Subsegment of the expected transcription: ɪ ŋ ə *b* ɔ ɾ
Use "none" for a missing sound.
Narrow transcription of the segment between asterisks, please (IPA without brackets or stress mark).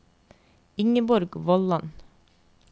b